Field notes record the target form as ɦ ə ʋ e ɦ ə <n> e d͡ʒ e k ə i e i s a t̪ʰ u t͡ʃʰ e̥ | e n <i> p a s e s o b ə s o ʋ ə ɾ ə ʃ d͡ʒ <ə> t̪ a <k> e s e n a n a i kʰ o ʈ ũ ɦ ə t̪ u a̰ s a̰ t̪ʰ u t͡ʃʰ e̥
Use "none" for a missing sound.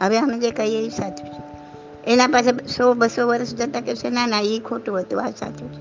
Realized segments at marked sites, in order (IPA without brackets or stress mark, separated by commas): m, a, ə, k